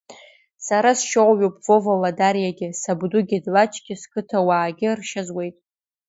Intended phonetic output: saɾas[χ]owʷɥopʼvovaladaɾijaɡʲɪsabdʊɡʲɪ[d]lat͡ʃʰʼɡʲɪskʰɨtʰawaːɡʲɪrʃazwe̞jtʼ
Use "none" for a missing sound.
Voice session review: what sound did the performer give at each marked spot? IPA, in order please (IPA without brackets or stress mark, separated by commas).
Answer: ʃ, d